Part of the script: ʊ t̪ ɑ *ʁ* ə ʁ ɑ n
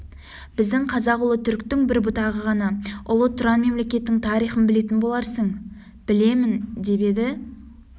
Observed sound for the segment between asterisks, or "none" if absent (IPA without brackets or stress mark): ʁ